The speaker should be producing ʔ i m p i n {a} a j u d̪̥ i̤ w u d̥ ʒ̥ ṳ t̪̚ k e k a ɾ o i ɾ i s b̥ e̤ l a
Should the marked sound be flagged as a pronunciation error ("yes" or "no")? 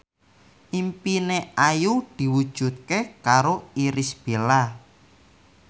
yes